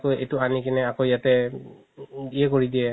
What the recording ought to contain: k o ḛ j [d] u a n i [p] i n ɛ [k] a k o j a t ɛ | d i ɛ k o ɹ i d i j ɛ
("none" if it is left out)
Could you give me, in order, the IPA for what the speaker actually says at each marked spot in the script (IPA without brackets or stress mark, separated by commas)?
t, k, none